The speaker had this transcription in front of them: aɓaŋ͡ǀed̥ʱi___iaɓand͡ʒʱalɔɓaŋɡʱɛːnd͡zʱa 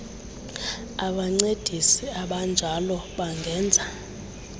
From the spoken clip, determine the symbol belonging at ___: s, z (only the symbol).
s